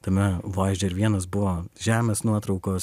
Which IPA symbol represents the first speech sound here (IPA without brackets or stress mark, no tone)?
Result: t̪